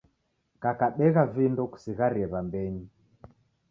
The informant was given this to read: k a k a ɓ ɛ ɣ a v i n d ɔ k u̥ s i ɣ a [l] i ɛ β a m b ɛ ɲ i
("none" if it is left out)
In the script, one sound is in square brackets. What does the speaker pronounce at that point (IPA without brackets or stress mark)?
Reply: ɾ